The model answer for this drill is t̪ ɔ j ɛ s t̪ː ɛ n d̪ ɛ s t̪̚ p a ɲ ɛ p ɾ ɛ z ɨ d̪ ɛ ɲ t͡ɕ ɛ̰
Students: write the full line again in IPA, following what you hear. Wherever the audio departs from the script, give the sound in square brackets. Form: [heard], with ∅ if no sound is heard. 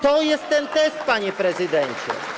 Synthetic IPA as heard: t̪ ɔ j ɛ s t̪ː ɛ n [t̪] ɛ s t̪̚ p a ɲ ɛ p ɾ ɛ z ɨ d̪ ɛ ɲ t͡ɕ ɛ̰